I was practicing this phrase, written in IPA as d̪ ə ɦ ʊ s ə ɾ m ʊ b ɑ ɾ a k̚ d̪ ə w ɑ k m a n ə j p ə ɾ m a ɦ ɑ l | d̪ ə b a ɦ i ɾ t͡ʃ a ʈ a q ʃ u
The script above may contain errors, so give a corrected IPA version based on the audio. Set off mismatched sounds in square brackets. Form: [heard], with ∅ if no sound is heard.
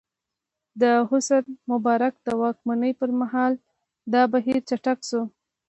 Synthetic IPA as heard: d̪ ə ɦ ʊ s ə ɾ m ʊ b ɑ ɾ a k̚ d̪ ə w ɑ k m a n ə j p ə ɾ m a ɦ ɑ l | d̪ [ɑ] b a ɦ i ɾ t͡ʃ a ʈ a [k] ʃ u